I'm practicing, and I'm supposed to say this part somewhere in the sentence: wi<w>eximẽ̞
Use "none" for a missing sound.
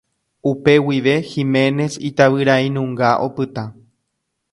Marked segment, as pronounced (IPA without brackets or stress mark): ʋ